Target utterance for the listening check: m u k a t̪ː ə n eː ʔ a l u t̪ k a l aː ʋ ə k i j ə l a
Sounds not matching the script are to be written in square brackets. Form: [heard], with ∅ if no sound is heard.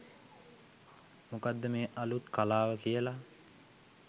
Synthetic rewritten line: m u k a [d̪ː] ə [m] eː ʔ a l u t̪ k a l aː ʋ ə k i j ə l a

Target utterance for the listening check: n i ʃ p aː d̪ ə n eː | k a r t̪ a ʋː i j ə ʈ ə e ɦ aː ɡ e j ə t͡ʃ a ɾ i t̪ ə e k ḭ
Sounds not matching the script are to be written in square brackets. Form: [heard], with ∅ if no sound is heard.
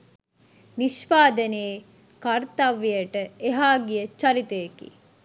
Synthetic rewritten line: n i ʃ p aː d̪ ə n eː | k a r t̪ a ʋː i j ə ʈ ə e ɦ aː ɡ [i] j ə t͡ʃ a ɾ i t̪ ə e k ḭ

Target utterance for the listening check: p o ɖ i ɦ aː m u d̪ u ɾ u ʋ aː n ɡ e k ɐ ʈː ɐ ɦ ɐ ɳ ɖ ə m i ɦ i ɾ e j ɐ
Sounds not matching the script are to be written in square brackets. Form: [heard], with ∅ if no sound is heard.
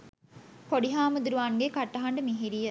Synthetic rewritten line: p o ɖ i ɦ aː m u d̪ u ɾ u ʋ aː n ɡ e k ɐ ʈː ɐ ɦ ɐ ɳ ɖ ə m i ɦ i ɾ [i] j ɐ

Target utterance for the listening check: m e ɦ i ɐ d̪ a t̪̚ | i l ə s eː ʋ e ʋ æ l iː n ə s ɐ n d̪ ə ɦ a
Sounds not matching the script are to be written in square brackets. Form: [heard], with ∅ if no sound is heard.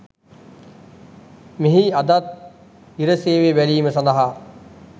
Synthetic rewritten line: m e ɦ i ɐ d̪ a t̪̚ | i [ɾ] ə s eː ʋ e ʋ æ l iː [m] ə s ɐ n d̪ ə ɦ a

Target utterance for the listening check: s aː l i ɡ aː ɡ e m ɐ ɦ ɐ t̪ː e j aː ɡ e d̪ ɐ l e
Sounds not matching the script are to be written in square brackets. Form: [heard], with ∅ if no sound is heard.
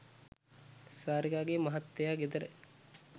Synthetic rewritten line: s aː [ɾ] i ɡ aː ɡ e m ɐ ɦ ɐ t̪ː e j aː ɡ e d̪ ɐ [ɾ] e

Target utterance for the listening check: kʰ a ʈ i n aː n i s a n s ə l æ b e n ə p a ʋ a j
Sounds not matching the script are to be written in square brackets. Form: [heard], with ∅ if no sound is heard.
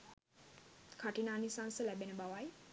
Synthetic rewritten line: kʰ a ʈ i n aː n i s a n s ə l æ b e n ə [b] a ʋ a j

